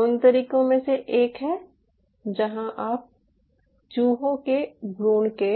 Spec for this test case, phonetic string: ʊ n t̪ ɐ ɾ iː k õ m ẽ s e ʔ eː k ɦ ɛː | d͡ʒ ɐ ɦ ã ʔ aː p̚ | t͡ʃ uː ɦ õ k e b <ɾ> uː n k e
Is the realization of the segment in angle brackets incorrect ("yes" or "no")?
no